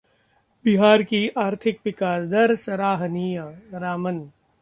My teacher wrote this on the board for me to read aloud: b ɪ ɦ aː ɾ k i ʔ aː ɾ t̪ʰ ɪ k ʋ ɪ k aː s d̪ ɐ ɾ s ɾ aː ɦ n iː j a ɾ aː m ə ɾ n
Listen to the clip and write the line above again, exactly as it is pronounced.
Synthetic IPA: b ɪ ɦ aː ɾ k i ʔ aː ɾ t̪ʰ ɪ k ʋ ɪ k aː s d̪ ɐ ɾ s ɾ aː ɦ n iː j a ɾ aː m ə n

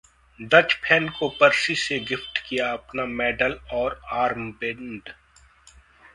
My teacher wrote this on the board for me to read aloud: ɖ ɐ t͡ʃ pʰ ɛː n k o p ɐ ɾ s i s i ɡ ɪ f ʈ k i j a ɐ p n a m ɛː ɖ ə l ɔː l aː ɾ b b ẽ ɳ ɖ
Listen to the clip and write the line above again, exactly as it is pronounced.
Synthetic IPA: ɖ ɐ t͡ʃ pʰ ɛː n k o p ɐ ɾ s i s e ɡ ɪ f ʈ k i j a ɐ p n a m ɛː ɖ ə l ɔː ɾ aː ɾ m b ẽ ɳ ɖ

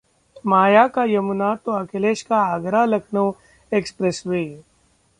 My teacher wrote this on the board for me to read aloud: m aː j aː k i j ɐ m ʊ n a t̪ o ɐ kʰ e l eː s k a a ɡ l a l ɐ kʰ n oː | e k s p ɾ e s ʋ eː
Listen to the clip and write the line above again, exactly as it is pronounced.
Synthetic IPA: m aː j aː k a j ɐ m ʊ n a t̪ o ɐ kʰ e l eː ʃ k a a ɡ ɾ a l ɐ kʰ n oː | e k s p ɾ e s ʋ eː

